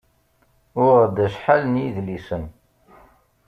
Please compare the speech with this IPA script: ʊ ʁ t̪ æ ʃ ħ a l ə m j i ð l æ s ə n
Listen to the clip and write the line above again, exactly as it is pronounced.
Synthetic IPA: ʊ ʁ d̪ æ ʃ ħ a l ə n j i ð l i s ə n